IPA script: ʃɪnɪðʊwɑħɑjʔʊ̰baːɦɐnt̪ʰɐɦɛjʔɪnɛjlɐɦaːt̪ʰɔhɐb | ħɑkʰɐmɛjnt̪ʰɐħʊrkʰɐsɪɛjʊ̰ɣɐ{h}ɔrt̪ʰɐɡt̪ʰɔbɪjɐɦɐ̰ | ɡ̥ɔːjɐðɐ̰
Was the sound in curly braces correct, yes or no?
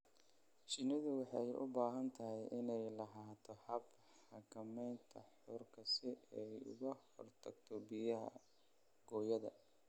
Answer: yes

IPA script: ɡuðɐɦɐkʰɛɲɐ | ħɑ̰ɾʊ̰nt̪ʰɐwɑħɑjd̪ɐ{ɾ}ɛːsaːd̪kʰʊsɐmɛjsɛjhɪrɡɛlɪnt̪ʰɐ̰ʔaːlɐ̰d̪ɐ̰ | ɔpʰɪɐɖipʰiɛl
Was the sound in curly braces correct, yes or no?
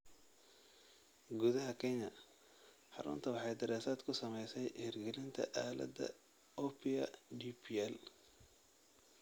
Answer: yes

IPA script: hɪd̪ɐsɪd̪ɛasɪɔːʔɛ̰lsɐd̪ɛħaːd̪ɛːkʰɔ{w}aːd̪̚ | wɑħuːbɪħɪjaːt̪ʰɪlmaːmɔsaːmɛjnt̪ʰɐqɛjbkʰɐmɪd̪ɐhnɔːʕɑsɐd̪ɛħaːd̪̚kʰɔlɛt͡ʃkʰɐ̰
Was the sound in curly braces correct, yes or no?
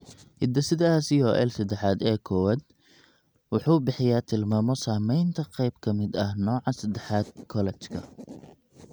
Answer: yes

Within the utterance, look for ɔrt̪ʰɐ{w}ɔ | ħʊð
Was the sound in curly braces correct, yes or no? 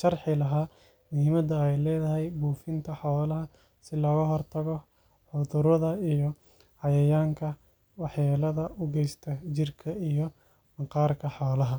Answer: no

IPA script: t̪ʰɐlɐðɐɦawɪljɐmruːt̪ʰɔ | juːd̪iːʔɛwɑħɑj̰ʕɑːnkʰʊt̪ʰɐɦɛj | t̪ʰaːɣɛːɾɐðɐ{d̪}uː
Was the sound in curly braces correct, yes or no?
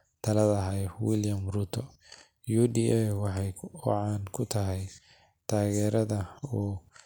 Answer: no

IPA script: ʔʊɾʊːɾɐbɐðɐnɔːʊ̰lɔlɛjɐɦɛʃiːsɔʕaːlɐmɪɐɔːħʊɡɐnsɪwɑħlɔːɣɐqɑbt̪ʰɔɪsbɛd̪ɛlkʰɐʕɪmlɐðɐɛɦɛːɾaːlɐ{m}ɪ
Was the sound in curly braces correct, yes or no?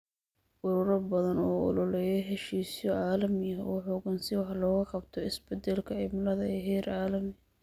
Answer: yes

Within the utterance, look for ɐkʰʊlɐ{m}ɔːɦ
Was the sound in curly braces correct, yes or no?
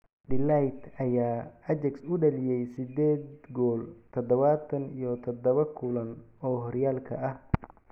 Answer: no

